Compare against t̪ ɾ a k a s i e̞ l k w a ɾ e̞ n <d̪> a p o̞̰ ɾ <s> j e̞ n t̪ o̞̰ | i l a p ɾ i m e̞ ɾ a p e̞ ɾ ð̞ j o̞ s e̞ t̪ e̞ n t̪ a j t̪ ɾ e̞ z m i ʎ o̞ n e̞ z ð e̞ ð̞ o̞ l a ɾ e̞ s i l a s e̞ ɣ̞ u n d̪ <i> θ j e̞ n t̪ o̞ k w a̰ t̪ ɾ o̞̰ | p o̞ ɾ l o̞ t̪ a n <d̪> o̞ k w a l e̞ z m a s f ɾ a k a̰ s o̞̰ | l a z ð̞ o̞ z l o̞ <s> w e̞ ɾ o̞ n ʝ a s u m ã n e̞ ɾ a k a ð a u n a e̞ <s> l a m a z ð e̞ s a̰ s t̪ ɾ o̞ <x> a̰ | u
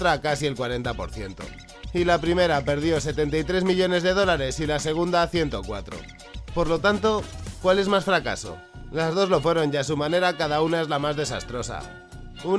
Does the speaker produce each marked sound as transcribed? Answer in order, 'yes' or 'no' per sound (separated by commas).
no, no, no, no, no, no, no